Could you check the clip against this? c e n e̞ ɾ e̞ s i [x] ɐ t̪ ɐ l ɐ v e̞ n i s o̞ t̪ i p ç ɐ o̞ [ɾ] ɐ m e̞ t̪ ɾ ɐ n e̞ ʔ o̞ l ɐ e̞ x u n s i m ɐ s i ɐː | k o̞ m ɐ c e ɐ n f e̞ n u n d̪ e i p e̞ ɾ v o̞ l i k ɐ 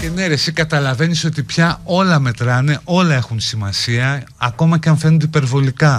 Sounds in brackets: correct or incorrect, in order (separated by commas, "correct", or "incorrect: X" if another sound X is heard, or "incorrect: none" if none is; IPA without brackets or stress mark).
incorrect: k, incorrect: l